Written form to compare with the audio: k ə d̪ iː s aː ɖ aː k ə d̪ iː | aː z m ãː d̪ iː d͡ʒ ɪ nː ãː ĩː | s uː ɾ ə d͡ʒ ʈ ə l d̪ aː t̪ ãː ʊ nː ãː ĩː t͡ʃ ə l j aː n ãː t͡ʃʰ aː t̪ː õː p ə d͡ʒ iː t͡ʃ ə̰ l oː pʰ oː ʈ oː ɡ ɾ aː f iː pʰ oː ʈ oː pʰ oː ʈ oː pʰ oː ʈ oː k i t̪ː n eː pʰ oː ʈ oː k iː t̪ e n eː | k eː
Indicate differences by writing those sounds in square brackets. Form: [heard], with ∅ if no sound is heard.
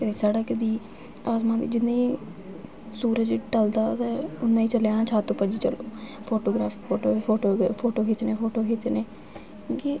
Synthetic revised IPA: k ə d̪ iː s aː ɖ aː k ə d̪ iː | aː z m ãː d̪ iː d͡ʒ ɪ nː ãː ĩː | s uː ɾ ə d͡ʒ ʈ ə l d̪ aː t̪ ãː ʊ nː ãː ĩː t͡ʃ ə l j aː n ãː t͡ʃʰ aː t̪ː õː p ə d͡ʒ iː t͡ʃ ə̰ l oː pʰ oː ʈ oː ɡ ɾ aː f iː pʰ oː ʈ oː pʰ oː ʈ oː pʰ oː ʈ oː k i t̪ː n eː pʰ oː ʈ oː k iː t̪ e n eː | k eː